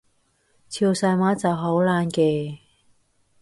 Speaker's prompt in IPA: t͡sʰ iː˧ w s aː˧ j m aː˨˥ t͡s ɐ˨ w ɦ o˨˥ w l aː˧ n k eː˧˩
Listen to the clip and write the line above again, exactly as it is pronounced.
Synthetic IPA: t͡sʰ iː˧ w s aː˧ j m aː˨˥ t͡s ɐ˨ w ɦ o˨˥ w l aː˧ n k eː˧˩